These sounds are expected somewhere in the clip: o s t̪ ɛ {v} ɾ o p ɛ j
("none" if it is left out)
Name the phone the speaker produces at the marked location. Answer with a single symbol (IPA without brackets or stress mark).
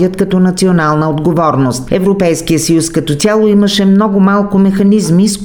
v